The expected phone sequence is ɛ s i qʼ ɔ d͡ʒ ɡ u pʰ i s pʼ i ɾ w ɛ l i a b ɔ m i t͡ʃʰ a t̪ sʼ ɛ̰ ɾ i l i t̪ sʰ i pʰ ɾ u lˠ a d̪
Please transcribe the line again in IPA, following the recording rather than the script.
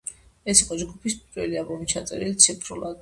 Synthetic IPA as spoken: ɛ s i qʼ ɔ d͡ʒ ɡ u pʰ i s pʼ i ɾ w ɛ l i a b ɔ m i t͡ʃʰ a t̪ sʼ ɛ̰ ɾ i l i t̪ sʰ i pʰ ɾ u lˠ a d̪